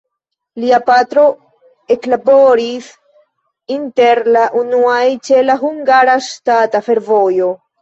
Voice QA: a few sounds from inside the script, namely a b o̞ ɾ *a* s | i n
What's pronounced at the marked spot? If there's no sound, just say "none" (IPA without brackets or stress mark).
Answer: i